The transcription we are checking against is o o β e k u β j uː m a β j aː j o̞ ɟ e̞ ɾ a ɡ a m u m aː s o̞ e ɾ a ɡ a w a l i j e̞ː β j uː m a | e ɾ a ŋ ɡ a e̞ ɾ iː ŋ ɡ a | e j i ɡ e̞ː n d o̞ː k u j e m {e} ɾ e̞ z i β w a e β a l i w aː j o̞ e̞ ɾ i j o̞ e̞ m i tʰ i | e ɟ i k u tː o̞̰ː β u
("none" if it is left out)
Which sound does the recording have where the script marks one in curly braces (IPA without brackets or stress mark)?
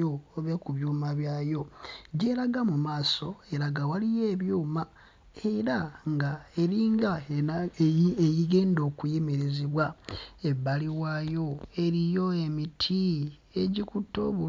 e